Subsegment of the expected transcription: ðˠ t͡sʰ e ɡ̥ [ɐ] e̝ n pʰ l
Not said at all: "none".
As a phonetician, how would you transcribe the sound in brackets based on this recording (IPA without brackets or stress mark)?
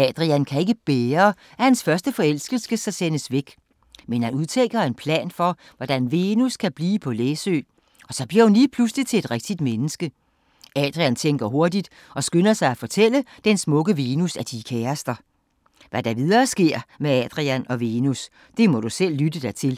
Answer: ɐ